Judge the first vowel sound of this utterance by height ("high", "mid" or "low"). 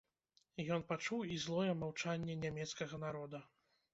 mid